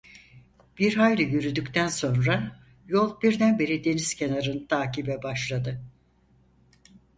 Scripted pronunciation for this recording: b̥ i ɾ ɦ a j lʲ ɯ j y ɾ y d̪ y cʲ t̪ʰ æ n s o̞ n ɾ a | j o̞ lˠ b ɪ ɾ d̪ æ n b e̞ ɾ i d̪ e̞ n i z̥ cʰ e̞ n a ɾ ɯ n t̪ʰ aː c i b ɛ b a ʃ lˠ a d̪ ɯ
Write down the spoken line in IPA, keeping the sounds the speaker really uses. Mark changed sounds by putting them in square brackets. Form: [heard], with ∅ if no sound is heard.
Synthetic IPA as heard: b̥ i ɾ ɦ a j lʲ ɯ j y ɾ y d̪ y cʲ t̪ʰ æ n s o̞ n ɾ a | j o̞ lˠ b [i] ɾ d̪ æ n b e̞ ɾ i d̪ e̞ n i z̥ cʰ e̞ n a ɾ ɯ n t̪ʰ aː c i b ɛ b a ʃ lˠ a d̪ ɯ